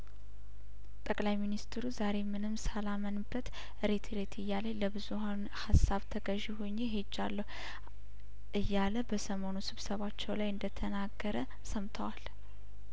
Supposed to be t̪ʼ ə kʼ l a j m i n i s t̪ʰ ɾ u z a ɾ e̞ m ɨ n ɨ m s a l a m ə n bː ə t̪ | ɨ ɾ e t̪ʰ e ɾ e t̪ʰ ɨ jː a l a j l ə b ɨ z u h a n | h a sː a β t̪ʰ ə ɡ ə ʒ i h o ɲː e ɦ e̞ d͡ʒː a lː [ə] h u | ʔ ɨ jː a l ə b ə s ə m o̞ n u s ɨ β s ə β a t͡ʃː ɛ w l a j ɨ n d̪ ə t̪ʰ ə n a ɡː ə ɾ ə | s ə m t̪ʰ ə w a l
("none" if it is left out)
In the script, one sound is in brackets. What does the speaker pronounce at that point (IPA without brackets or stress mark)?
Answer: ə